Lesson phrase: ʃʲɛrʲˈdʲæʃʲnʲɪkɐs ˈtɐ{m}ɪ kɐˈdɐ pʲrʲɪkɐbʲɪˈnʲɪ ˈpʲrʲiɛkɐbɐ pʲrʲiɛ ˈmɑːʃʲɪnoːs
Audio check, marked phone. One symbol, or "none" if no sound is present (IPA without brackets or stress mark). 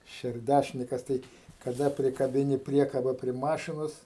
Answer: none